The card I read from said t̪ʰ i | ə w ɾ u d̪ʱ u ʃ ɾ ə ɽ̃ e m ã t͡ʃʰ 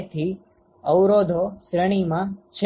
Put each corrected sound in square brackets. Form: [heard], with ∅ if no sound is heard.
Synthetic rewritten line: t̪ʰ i | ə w ɾ [o] d̪ʱ [o] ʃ ɾ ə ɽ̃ [i] m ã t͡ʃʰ